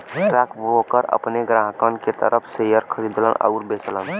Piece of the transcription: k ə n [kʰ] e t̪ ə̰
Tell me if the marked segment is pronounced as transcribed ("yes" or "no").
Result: no